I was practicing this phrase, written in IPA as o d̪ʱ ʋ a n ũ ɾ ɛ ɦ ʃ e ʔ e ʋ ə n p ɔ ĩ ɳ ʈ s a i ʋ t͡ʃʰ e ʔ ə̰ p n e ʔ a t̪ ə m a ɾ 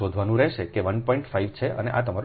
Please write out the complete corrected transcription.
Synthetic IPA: o d̪ʱ ʋ a n ũ ɾ ɛ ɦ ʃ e k e ʋ ə n p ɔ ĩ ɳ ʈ f a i ʋ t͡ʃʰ e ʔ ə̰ n e ʔ a t̪ ə m a ɾ

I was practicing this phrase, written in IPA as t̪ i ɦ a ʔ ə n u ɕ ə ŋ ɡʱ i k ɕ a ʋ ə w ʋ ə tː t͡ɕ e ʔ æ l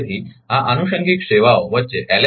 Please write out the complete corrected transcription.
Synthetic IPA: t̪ i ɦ a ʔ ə n u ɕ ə ŋ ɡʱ i k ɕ e ʋ a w ʋ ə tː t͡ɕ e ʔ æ l

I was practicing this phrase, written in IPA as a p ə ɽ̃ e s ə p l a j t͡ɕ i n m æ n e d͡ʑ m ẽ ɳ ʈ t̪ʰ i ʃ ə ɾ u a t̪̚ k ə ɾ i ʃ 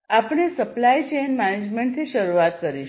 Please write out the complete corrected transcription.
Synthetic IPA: a p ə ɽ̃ e s ə p l a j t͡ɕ e n m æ n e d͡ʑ m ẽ ɳ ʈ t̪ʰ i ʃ ə ɾ u a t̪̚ k ə ɾ i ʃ

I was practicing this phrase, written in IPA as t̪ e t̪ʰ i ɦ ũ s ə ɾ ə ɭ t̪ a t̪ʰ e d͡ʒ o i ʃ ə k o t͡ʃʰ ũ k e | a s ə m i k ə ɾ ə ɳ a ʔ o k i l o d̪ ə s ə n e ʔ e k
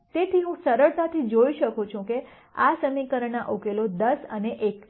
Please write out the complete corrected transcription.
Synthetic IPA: t̪ e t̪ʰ i ɦ ũ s ə ɾ ə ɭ t̪ a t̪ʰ i d͡ʒ o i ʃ ə k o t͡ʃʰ ũ k e | a s ə m i k ə ɾ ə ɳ a ʔ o k e l o d̪ ə s ə n e ʔ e k

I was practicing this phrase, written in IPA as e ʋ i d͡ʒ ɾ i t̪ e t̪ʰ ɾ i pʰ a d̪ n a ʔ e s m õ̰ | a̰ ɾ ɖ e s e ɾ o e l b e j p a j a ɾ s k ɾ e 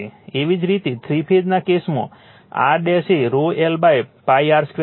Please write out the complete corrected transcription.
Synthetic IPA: e ʋ i d͡ʒ ɾ i t̪ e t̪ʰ ɾ i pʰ e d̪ n a k e s m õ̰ | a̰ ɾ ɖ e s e ɾ o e l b a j p a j a ɾ s k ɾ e

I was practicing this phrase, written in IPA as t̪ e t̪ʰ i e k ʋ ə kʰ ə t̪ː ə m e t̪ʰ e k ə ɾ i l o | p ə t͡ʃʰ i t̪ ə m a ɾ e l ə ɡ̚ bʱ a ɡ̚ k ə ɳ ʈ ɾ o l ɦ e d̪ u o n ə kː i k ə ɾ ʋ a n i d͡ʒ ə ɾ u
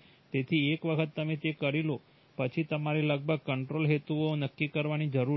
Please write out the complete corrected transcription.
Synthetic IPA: t̪ e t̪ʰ i e k ʋ ə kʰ ə t̪ː ə m e t̪ e k ə ɾ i l o | p ə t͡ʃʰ i t̪ ə m a ɾ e l ə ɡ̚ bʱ ə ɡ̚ k ə ɳ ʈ ɾ o l ɦ e t̪ u o n ə kː i k ə ɾ ʋ a n i d͡ʒ ə ɾ u

